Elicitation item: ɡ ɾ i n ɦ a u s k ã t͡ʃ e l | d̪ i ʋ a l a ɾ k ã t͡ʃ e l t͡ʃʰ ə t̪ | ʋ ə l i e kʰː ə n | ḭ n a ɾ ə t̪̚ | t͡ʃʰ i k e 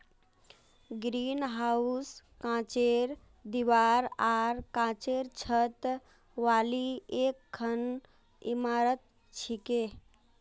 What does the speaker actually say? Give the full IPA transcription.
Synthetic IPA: ɡ ɾ i n ɦ a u s k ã t͡ʃ e ɾ | d̪ i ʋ a ɾ a ɾ k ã t͡ʃ e ɾ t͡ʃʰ ə t̪ | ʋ a l i e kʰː ə n | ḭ m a ɾ ə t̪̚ | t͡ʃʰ i k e